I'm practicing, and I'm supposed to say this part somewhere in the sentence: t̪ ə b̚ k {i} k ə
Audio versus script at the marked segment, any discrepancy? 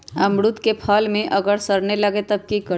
no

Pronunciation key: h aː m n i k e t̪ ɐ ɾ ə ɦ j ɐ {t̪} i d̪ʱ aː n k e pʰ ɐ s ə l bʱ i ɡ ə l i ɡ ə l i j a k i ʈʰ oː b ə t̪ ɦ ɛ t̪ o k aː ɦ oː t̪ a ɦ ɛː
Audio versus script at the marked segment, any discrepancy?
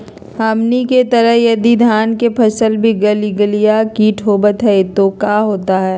yes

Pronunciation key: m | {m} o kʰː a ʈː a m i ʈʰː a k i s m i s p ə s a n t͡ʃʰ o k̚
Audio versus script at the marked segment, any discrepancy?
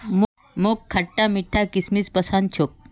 no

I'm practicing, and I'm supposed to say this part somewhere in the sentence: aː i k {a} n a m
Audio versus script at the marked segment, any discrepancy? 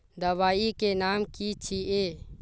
yes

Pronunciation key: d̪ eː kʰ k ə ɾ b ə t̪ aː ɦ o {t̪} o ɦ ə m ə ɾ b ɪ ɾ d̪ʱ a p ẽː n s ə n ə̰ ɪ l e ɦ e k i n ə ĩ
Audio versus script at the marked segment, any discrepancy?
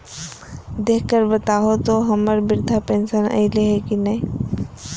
no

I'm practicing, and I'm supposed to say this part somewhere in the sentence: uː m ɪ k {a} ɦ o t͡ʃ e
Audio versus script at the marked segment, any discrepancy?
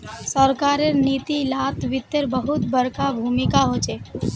no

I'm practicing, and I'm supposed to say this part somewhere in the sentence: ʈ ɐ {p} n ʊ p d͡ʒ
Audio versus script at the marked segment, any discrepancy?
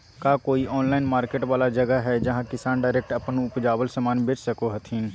no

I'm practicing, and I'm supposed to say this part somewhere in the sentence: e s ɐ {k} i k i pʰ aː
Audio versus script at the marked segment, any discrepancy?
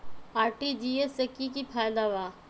no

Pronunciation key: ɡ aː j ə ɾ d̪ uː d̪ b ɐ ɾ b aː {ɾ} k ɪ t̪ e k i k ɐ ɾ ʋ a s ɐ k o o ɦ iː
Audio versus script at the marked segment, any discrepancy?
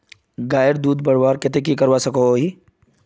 no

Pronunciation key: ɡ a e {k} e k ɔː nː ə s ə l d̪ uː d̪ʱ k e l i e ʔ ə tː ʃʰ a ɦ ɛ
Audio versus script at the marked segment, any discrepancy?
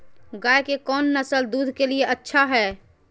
no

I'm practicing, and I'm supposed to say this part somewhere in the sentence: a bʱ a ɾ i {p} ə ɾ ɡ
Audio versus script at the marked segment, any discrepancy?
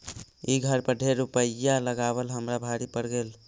no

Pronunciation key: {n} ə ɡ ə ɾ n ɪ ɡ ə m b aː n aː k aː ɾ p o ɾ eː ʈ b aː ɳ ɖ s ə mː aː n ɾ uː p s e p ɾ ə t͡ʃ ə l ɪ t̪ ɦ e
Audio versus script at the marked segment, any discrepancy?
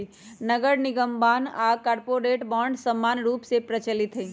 no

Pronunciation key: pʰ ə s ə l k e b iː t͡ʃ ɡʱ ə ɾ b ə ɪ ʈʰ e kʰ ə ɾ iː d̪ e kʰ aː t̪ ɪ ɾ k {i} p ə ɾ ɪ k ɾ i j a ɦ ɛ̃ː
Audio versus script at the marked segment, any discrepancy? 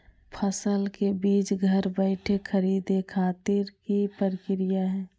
no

